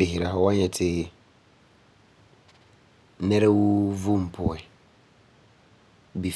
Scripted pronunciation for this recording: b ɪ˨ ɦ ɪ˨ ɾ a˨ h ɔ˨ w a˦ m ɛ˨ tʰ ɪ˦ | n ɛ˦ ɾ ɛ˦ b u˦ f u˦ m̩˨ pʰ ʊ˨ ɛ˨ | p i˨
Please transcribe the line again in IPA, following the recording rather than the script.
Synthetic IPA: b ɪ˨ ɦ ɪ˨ ɾ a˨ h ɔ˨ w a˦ ɲ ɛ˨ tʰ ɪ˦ | n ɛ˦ ɾ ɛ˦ w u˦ v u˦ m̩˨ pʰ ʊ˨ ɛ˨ | b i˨